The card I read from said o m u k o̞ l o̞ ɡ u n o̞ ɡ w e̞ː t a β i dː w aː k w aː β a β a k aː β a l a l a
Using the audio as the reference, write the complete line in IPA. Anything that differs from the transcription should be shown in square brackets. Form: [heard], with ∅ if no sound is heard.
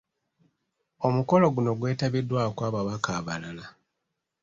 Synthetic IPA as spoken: o m u k o̞ l o̞ ɡ u n o̞ ɡ w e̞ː t a β i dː w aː k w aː β a β a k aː β a l a l a